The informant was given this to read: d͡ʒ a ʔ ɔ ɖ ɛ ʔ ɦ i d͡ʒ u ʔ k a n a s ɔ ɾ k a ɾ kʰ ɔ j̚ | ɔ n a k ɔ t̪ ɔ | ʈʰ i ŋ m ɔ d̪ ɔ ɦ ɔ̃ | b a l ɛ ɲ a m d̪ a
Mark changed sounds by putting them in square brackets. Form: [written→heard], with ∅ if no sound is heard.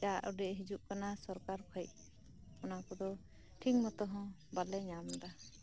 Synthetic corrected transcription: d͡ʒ a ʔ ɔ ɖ ɛ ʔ ɦ i d͡ʒ u ʔ k a n a s ɔ ɾ k a ɾ kʰ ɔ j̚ | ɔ n a k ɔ [t̪→d̪] ɔ | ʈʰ i ŋ m ɔ [d̪→t̪] ɔ ɦ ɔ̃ | b a l ɛ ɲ a m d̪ a